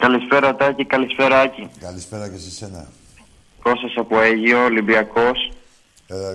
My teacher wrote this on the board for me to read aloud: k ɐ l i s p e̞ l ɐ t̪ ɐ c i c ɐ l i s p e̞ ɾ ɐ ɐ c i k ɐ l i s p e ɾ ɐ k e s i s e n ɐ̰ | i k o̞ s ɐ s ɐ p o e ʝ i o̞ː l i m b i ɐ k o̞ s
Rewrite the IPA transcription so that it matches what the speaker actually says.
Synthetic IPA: k ɐ l i s p e̞ ɾ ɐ t̪ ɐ c i k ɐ l i s p e̞ ɾ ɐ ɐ c i k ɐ l i s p e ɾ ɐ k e s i s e n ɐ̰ | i k o̞ s ɐ s ɐ p o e ʝ i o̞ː l i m b i ɐ k o̞ s